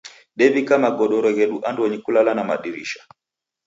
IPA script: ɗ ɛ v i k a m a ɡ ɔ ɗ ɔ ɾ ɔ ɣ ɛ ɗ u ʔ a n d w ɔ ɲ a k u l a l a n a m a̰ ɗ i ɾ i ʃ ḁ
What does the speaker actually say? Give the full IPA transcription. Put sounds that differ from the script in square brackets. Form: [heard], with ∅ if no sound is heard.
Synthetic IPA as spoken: ɗ ɛ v i k a m a ɡ ɔ ɗ ɔ ɾ ɔ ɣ ɛ ɗ u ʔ a n d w ɔ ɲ [i] k u l a l a n a m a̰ ɗ i ɾ i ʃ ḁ